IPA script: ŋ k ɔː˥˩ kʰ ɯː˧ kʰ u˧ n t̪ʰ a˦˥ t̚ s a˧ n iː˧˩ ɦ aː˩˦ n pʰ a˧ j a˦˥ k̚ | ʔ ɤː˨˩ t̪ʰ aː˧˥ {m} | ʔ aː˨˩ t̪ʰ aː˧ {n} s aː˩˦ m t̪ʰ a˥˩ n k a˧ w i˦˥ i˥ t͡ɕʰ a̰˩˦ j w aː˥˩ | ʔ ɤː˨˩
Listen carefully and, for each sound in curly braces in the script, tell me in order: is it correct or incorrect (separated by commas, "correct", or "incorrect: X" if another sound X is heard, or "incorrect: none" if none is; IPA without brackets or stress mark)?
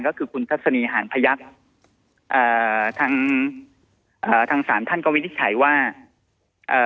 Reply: incorrect: ŋ, incorrect: ŋ